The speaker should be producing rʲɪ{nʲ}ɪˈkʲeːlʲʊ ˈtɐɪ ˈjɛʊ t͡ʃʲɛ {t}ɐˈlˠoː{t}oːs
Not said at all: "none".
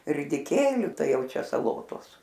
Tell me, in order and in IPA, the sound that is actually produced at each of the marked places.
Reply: dʲ, s, t

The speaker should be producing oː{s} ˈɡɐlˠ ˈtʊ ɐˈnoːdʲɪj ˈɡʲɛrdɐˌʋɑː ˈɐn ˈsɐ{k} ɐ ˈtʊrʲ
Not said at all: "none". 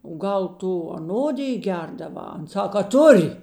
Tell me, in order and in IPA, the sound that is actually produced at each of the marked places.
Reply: none, k

